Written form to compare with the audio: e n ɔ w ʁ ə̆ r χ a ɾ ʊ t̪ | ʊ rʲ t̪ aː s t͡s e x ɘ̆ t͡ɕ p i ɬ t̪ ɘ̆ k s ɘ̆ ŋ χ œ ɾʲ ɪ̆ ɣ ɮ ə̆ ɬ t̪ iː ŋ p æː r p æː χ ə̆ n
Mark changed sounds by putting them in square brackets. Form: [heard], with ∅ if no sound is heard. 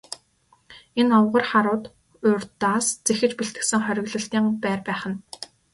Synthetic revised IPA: e n ɔ w ʁ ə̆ r χ a ɾ [ʊː] t̪ | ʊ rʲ t̪ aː s t͡s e x ɘ̆ t͡ɕ p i ɬ t̪ ɘ̆ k s ɘ̆ ŋ χ œ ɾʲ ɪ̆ ɣ ɮ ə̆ ɬ t̪ iː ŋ p æː r p æː χ ə̆ n